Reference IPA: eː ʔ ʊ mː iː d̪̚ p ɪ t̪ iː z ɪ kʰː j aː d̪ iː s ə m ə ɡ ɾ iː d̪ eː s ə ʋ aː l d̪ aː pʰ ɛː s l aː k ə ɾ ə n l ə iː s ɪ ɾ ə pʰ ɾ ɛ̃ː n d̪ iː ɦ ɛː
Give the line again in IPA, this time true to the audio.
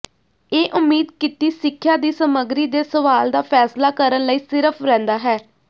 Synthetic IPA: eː ʔ ʊ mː iː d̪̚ k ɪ t̪ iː s ɪ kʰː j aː d̪ iː s ə m ə ɡ ɾ iː d̪ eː s ə ʋ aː l d̪ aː pʰ ɛː s l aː k ə ɾ ə n l ə iː s ɪ ɾ ə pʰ ɾ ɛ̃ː n d̪ aː ɦ ɛː